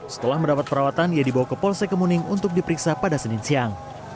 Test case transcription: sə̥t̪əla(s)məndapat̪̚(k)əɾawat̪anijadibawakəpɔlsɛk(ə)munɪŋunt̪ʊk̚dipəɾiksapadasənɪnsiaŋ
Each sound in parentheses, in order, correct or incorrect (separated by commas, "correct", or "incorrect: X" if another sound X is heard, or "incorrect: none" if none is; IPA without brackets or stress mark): incorrect: h, incorrect: p, correct